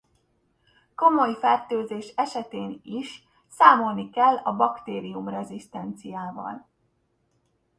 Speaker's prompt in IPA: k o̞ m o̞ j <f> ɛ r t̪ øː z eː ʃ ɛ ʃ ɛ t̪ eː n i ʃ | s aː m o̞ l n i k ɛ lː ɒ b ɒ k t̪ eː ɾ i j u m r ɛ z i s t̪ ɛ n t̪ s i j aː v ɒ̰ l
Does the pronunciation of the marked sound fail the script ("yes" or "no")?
no